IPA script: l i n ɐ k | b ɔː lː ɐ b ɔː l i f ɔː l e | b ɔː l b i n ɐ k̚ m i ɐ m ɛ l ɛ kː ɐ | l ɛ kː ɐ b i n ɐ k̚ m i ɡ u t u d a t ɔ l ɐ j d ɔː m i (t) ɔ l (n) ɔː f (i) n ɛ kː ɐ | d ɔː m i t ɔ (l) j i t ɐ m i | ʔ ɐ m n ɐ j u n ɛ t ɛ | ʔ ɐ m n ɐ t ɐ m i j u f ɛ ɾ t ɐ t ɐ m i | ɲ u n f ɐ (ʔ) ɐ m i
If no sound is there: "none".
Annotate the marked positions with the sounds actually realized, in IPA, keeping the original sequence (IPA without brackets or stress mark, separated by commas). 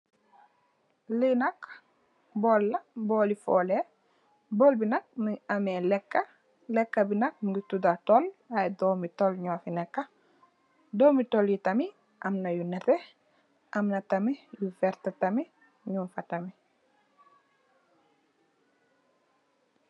t, ɲ, i, l, t